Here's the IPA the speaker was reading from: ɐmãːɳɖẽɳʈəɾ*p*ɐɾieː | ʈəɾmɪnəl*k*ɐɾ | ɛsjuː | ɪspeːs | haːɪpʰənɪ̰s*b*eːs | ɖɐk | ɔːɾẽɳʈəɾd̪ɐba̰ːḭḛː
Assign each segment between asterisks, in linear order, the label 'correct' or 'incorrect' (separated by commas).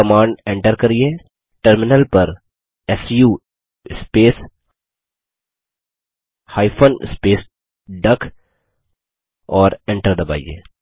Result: incorrect, incorrect, incorrect